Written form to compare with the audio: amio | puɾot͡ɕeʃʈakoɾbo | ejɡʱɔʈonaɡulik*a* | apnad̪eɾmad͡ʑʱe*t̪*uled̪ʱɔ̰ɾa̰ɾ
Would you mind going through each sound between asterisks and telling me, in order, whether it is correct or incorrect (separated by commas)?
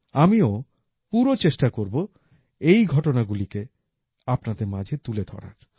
incorrect, correct